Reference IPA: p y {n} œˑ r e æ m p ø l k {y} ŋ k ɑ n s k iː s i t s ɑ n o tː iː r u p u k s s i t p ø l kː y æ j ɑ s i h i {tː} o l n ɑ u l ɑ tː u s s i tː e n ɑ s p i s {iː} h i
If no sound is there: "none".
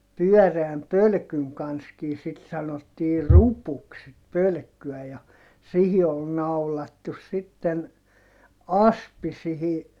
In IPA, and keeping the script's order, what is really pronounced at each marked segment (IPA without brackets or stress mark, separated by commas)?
none, y, none, i